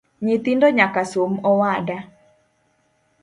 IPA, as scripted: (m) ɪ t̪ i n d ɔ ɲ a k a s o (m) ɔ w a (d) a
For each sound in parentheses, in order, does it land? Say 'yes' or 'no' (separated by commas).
no, yes, yes